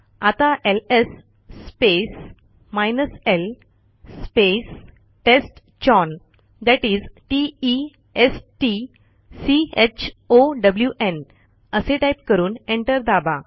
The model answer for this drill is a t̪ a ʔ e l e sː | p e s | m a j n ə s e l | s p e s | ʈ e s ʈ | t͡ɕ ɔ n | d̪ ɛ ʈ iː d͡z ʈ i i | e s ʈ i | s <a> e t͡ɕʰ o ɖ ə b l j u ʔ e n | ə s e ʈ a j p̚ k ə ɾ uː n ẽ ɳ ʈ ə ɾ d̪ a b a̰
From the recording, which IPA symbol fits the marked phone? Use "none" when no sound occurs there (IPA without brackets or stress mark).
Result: i